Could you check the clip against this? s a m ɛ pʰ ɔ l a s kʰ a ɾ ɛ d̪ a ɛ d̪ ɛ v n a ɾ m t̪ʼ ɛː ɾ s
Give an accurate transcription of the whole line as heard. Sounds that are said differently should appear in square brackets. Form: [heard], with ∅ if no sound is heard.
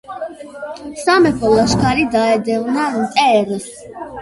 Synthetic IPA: s a m ɛ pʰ ɔ l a [ʃ] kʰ a ɾ [i] d̪ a ɛ d̪ ɛ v n a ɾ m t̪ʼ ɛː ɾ s